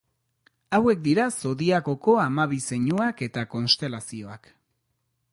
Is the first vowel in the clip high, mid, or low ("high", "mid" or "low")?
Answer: low